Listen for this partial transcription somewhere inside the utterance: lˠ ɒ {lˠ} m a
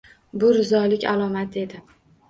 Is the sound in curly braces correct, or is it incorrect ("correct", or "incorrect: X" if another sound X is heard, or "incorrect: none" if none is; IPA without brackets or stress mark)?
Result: incorrect: none